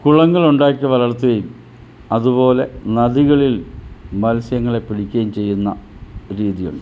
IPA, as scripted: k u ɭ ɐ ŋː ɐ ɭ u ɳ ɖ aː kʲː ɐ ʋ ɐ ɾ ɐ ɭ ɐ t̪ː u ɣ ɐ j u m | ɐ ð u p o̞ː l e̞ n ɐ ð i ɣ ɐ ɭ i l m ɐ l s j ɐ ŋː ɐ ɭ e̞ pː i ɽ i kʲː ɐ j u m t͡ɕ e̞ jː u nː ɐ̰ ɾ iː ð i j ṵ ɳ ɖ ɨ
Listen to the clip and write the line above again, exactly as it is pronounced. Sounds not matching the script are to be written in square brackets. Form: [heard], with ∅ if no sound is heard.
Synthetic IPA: k u ɭ ɐ ŋː ɐ ɭ u ɳ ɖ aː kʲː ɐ ʋ ɐ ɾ ɐ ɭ ɐ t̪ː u ɣ ɐ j u m | ɐ ð u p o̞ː l e̞ n ɐ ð i ɣ ɐ ɭ i l m ɐ l s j ɐ ŋː ɐ ɭ e̞ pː i ɽ i kʲː ɐ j u m t͡ɕ e̞ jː u nː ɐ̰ ɾ iː ð i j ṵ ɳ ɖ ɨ